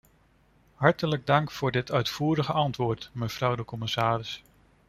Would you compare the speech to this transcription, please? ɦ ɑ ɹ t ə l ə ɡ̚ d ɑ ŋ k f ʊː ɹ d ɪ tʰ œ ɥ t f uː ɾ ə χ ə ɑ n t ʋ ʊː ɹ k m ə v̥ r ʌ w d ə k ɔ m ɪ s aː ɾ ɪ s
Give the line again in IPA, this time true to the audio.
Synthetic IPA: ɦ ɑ ɹ t ə l ə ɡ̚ d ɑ ŋ k f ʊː ɹ d ɪ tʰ œ ɥ t f uː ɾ ə χ ə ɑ n t ʋ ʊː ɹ t m ə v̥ r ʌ w d ə k ɔ m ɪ s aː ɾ ɪ s